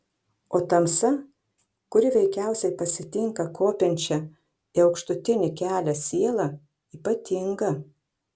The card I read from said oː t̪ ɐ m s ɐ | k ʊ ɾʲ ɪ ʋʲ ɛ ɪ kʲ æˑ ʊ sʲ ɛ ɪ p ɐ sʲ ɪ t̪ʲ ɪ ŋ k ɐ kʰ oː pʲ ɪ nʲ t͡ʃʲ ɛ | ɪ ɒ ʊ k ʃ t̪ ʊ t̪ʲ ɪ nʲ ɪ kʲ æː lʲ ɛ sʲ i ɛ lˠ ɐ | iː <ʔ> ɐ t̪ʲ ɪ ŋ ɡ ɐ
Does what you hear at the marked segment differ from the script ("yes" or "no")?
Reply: yes